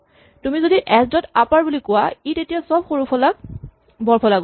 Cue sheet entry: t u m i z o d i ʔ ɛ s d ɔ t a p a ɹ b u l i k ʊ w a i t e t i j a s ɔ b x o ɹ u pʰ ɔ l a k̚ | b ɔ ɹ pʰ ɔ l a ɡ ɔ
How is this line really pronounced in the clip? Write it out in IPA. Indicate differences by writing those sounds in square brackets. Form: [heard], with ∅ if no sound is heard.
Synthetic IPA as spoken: t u m i z o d i ʔ ɛ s d ɔ t a p a ɹ b u l i k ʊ w a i t e t i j a s ɔ b x o ɹ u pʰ ɔ l a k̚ | b ɔ ɹ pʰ ɔ l a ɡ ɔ